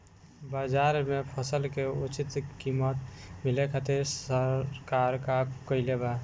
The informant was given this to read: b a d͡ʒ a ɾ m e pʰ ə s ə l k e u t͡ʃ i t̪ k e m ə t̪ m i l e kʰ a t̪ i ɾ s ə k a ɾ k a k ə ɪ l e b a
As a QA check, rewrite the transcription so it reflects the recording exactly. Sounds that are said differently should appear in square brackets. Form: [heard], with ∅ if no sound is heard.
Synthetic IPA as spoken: b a d͡ʒ a ɾ m e pʰ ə s ə l k e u t͡ʃ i t̪ k [i] m ə t̪ m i l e kʰ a t̪ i ɾ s ə k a ɾ k a k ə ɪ l e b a